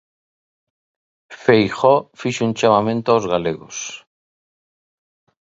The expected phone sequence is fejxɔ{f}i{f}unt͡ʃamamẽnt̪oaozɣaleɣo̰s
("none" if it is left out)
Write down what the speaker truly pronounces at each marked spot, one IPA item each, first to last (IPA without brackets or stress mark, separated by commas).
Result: f, ʃ